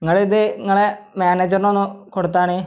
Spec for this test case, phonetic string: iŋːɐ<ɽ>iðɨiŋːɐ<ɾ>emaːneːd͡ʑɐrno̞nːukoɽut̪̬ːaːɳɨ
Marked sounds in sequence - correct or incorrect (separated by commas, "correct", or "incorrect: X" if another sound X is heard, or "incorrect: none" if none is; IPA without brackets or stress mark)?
incorrect: ɭ, incorrect: ɭ